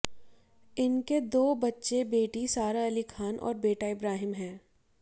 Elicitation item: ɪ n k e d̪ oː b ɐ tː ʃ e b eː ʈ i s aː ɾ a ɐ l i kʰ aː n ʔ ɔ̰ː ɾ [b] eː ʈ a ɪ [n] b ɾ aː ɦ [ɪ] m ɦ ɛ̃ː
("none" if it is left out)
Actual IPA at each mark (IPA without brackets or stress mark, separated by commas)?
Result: b, none, ɪ